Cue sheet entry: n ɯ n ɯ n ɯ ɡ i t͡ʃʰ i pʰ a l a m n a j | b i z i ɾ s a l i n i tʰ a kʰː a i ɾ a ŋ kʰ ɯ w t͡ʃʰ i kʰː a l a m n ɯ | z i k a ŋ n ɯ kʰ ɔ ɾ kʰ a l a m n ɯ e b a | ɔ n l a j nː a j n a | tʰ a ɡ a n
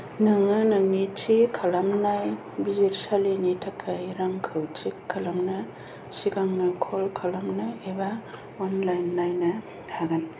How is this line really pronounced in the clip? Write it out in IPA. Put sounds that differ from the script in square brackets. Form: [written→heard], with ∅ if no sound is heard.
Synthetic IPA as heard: n ɯ [n→ŋ] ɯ n ɯ [ɡ→ŋ] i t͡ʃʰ i [pʰ→kʰ] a l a m n a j | b i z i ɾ s a l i n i tʰ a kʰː a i ɾ a ŋ kʰ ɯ w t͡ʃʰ i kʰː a l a m n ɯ | [z→s] i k a ŋ n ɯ kʰ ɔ [ɾ→l] kʰ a l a m n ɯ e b a | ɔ n l a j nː a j n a | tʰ a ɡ a n